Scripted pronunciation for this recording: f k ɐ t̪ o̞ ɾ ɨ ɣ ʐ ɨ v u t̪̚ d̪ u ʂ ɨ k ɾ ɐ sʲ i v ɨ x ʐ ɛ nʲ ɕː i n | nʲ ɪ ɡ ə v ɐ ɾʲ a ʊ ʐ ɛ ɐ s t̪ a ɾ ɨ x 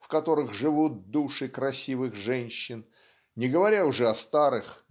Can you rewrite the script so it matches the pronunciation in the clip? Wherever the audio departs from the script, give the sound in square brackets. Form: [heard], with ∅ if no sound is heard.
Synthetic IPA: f k ɐ t̪ o̞ ɾ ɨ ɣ ʐ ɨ v u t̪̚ d̪ u ʂ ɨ k ɾ ɐ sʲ i v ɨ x ʐ ɛ nʲ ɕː [ɪ] n | nʲ ɪ ɡ ə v ɐ ɾʲ a ʊ ʐ ɛ ɐ s t̪ a ɾ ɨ x